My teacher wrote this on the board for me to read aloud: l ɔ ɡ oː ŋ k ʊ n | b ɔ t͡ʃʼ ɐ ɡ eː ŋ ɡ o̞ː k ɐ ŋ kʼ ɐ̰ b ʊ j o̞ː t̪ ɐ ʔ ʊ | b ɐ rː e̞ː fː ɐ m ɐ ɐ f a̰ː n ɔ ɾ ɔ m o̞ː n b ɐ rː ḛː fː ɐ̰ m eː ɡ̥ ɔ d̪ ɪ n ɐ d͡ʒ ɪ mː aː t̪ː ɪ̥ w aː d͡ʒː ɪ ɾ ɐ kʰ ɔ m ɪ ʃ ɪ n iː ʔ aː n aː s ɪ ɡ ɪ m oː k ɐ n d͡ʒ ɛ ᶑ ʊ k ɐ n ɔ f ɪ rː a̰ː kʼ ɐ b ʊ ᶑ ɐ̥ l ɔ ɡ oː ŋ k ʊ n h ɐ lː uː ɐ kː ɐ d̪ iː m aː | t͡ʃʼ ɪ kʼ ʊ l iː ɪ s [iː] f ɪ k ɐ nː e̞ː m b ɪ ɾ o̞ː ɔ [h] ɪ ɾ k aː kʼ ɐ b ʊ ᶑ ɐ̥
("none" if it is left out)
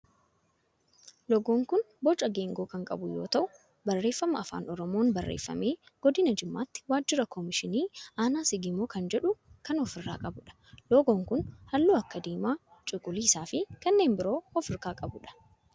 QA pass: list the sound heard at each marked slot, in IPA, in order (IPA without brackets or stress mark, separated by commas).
aː, f